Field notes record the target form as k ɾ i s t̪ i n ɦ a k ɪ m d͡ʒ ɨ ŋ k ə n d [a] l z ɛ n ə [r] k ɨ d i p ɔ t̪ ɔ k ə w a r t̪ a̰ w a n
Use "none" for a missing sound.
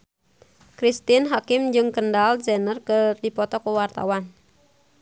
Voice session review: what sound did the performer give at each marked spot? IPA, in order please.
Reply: a, r

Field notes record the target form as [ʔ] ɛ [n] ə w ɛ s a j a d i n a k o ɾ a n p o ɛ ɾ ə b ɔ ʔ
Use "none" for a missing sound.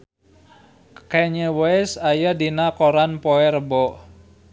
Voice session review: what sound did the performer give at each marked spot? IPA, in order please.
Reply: k, ɲ

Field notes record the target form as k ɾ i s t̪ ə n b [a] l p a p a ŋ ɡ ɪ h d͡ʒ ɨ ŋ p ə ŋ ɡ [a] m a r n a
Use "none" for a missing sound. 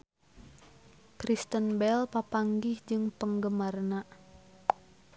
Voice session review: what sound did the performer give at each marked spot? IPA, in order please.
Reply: ɛ, ə

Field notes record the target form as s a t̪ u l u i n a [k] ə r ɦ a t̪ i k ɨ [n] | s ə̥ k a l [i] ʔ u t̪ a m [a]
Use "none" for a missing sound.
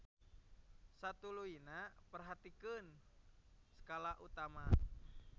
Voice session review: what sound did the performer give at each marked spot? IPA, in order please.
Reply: p, n, a, a

